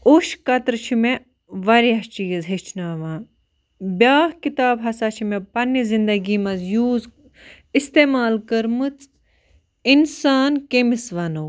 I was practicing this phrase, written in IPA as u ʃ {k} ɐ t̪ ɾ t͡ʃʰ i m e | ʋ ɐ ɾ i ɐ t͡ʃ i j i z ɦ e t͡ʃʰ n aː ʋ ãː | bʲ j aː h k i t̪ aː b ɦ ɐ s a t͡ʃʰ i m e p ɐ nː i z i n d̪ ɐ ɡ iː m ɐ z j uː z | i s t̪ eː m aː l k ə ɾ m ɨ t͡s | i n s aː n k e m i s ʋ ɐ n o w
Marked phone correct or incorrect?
correct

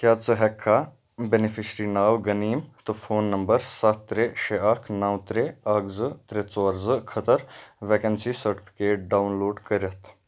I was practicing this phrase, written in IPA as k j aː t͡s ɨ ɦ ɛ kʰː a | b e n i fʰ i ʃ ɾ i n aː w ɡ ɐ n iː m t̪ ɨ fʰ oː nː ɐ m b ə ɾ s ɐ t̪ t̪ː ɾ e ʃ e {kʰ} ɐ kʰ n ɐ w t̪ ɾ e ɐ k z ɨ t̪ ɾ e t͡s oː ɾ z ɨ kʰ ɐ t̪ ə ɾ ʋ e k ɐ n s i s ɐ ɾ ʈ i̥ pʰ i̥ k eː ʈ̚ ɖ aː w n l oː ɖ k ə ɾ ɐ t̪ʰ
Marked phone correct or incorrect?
incorrect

